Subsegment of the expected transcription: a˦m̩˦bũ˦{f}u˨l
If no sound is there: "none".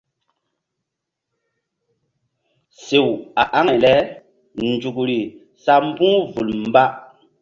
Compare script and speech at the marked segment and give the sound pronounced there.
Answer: v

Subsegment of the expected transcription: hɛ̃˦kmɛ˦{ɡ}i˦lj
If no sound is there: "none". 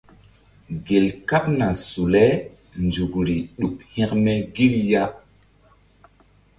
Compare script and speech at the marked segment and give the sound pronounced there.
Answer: ɡ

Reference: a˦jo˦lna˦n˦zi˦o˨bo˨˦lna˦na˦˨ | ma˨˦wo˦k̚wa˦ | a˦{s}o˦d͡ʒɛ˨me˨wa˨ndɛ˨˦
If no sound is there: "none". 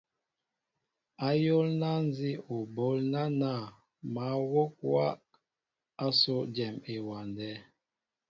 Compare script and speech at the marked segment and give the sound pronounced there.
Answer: s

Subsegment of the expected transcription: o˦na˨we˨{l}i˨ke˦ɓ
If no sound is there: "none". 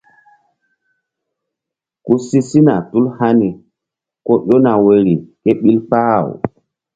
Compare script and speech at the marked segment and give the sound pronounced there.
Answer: ɾ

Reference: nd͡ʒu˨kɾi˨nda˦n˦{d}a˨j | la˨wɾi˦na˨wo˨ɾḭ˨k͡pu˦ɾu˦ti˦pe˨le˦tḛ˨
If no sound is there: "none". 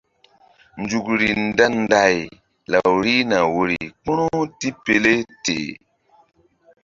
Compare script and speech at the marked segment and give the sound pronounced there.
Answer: d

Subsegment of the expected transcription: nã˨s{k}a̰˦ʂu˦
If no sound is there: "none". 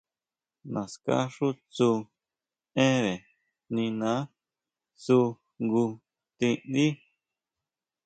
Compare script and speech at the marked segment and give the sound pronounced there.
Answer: k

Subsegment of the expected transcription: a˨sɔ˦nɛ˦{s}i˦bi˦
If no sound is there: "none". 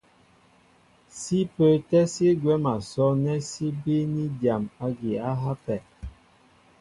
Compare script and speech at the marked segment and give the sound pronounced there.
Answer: s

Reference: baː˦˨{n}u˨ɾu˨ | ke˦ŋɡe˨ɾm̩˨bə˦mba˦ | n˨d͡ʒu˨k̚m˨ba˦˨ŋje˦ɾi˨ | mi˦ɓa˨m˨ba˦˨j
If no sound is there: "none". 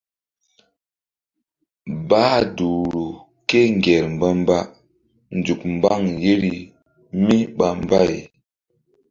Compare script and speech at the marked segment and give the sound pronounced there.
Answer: d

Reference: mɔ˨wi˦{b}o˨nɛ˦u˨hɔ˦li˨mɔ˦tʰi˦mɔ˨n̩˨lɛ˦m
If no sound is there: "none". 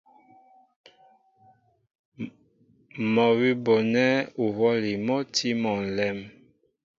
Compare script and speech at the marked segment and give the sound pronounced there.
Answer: b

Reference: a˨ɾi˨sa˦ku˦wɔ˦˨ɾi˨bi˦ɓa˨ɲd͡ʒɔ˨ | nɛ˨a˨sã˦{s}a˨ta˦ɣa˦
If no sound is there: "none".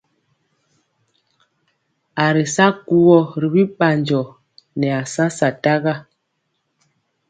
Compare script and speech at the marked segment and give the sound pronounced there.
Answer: s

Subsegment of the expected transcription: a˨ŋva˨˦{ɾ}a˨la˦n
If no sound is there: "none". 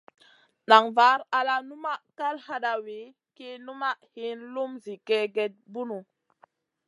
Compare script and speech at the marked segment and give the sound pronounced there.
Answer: ɾ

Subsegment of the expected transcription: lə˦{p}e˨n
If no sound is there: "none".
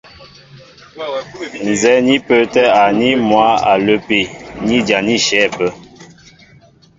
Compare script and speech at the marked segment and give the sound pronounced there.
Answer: p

